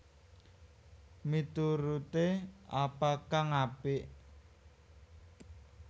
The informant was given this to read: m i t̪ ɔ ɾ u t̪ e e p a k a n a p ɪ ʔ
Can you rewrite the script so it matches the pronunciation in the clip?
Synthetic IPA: m i t̪ u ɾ u t̪ e a p a k a ŋ a p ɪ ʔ